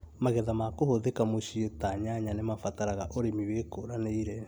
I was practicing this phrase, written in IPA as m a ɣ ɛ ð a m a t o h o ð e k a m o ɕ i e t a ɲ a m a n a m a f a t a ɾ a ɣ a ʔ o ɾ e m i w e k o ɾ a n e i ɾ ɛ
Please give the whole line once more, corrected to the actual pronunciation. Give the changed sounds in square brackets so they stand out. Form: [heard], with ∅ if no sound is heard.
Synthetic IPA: m a ɣ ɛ ð a m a [k] o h o ð e k a m o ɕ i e t a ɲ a [ɲ] a n [e] m a f a t a ɾ a ɣ a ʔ o ɾ e m i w e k o ɾ a n e i ɾ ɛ

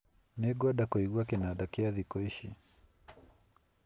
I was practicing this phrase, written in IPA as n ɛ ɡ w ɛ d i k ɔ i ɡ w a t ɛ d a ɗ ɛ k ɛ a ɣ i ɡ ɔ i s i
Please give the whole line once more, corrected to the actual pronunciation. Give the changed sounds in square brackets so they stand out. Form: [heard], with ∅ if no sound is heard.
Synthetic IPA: n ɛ ɡ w [a] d [a] k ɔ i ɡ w a [k] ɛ [n] a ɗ [a] k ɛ a [ð] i [k] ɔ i [ʃ] i

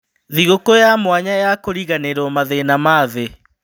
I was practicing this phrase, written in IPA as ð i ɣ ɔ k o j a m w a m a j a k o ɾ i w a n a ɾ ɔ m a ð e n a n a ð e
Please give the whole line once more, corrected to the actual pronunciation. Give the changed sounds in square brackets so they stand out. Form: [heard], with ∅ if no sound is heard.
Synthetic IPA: ð i ɣ [o] k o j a m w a [ɲ] a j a k o ɾ i [ɣ] a n [e] ɾ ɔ m a ð e n a [m] a ð e

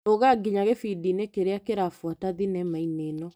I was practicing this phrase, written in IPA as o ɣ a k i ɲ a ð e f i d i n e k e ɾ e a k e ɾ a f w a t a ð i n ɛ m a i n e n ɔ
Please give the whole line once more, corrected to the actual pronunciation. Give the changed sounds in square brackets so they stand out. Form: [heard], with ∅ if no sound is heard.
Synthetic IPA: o ɣ a [ɡ] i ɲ a [ɣ] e f i d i n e k e ɾ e a k e ɾ a f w a t a ð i n ɛ m a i n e n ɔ

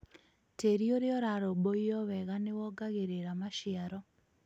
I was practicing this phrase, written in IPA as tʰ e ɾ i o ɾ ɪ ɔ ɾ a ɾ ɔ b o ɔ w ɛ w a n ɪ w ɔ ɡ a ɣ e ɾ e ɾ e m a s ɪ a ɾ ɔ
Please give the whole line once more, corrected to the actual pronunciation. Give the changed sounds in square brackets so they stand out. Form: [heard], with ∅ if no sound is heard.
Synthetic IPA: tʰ e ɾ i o ɾ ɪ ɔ ɾ a ɾ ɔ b o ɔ w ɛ [ɣ] a n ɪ w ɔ ɡ a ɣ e ɾ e ɾ [a] m a [ʃ] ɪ a ɾ ɔ

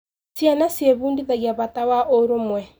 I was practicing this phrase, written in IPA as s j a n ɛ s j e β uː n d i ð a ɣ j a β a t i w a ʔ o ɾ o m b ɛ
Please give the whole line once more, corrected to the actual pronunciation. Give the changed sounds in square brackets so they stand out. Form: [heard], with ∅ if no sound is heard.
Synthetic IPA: s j a n [a] s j e β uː n d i ð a ɣ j a β a t [a] w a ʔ o ɾ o m [w] ɛ

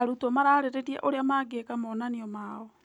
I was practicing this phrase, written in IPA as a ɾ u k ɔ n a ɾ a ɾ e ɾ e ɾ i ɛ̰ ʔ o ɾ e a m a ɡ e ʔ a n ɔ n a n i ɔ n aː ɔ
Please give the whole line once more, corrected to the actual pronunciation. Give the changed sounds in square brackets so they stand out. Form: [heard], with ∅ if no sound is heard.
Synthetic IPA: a ɾ u [t] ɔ [m] a ɾ a ɾ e ɾ e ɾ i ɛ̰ ʔ o ɾ e a m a ɡ e [k] a [m] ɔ n a n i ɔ [m] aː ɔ

